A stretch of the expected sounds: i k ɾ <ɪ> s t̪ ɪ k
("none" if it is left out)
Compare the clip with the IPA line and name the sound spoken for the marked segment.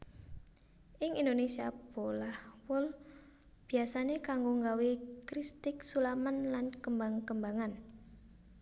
i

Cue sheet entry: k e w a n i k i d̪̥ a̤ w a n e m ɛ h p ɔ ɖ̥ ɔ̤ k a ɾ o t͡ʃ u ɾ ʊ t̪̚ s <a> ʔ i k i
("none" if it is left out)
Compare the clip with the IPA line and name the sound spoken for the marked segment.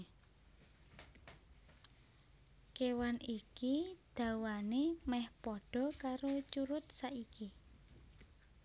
a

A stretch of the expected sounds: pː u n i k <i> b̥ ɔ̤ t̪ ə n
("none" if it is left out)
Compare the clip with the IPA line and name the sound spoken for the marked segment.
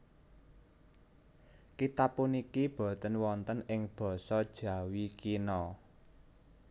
i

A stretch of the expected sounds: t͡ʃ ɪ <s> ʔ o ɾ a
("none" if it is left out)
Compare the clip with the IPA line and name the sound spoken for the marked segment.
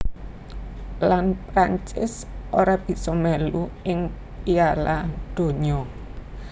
s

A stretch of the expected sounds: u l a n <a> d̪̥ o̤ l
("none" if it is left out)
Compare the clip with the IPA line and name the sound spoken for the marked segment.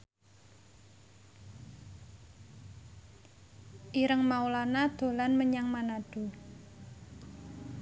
a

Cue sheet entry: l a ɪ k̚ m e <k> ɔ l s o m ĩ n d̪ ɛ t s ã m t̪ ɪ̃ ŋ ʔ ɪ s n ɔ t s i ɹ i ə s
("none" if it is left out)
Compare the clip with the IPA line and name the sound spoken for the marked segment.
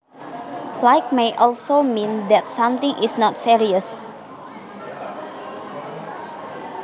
ʔ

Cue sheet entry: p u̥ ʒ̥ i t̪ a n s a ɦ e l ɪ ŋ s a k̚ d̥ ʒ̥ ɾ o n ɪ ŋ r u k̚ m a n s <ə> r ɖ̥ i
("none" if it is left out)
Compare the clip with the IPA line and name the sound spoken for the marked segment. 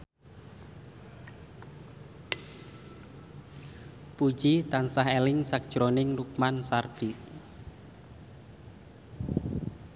a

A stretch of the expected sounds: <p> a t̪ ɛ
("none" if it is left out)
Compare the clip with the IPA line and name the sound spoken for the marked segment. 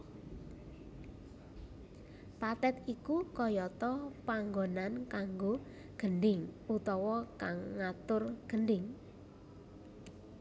p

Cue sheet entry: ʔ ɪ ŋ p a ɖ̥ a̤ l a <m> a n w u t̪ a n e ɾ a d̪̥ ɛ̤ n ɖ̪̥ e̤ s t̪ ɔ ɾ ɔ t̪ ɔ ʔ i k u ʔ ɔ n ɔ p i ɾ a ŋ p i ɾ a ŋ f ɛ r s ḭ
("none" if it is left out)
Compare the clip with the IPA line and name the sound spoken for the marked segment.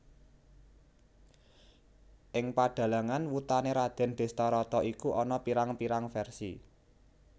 ŋ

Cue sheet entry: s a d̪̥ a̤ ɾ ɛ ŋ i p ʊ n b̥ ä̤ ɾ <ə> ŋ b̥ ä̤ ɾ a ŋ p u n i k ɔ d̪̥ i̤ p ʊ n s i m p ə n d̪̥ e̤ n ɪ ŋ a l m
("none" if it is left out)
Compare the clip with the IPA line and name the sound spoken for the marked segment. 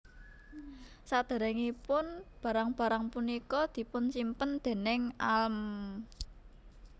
a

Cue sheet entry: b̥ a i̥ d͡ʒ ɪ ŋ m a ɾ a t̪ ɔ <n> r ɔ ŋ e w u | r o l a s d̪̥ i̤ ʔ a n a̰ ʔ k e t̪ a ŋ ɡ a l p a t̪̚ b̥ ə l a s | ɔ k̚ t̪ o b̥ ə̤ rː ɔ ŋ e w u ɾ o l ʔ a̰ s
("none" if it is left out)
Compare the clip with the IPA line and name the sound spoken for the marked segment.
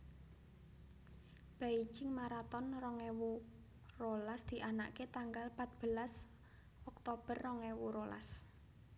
n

